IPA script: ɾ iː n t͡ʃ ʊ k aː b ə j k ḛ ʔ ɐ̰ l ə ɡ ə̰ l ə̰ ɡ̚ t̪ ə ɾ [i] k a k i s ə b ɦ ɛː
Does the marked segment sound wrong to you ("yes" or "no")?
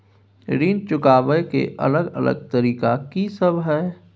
yes